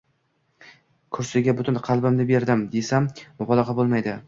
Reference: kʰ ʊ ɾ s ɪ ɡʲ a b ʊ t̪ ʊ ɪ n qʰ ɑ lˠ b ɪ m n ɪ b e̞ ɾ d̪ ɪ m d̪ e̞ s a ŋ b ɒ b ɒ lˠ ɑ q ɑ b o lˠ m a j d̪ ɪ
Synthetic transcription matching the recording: kʰ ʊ ɾ s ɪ ɡʲ a b ʊ t̪ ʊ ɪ n qʰ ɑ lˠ b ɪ m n ɪ b e̞ ɾ d̪ ɪ m d̪ e̞ s a m b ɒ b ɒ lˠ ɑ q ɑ b o lˠ m a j d̪ ɪ

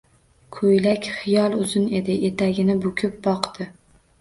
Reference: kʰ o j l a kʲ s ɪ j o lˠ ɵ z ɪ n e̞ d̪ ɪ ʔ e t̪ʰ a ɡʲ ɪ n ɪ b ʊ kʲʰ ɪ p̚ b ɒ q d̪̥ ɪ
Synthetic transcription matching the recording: kʰ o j l a kʲ χ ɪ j ɒ lˠ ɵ z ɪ n e̞ d̪ ɪ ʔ e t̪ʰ a ɡʲ ɪ n ɪ b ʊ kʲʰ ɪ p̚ b ɒ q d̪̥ ɪ

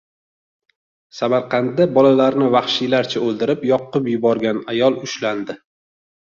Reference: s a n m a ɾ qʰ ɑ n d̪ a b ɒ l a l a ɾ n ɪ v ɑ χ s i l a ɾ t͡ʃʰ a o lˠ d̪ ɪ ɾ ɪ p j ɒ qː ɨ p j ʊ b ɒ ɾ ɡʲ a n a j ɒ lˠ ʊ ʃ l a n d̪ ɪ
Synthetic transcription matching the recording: s a m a ɾ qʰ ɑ n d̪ a b ɒ l a l a ɾ n ɪ v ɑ χ ʃ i l a ɾ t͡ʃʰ a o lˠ d̪ ɪ ɾ ɪ p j ɒ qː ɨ p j ʊ b ɒ ɾ ɡʲ a n a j ɒ lˠ ʊ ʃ l a n d̪ ɪ

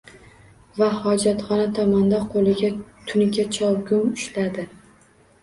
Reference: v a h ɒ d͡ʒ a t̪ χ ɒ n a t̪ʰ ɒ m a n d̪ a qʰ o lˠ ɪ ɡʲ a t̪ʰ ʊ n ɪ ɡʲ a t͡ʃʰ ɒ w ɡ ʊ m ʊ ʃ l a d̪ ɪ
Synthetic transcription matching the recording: v a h ɒ d͡ʒ a t̪ χ ɒ n a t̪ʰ ɒ m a n d̪ a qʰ o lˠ ɪ ɡʲ a t̪ʰ ʊ n ɪ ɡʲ a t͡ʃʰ ɒ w ɡ ʊ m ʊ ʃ l a d̪ ɪ

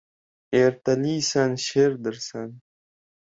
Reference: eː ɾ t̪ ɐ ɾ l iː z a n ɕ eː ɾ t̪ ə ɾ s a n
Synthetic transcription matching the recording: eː ɾ t̪ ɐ l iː s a n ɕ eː ɾ d̪ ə ɾ s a n

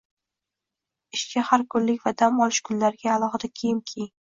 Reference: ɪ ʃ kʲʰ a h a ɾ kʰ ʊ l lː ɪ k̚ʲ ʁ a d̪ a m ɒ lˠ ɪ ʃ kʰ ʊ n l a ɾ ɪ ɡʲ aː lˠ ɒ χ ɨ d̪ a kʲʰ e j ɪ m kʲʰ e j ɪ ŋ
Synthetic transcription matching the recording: ɪ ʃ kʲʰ a h a ɾ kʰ ʊ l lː ɪ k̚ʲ v a d̪ a m ɒ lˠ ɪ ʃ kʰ ʊ n l a ɾ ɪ ɡʲ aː lˠ ɒ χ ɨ d̪ a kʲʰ e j ɪ m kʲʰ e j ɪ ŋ

